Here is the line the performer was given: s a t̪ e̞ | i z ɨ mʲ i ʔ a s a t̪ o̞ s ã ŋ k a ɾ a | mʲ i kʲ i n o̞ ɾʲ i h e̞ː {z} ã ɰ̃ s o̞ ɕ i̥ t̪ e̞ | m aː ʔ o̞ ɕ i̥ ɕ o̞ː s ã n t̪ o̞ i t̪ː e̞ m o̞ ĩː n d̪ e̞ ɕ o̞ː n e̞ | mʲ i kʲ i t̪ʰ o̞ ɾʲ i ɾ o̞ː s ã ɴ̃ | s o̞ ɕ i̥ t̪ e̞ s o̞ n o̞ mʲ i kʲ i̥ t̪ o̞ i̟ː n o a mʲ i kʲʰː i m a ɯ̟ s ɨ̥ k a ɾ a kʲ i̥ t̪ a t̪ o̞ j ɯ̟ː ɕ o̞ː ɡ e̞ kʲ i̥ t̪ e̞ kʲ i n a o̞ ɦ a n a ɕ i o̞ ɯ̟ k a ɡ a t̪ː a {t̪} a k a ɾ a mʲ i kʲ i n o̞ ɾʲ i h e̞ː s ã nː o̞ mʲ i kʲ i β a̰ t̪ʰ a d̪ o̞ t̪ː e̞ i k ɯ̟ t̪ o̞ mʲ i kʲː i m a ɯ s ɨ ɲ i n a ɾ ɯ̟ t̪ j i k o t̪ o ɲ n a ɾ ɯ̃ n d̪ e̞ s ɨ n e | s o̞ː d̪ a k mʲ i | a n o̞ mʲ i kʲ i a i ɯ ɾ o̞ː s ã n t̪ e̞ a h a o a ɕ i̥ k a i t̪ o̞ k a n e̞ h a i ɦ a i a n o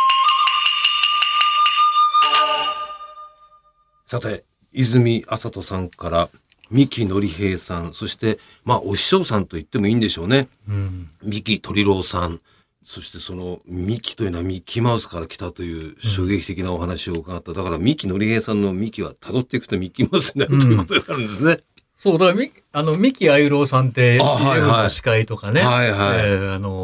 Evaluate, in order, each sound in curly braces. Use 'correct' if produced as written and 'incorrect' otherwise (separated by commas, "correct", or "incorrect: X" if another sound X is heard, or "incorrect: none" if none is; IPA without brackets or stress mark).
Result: incorrect: s, incorrect: d̪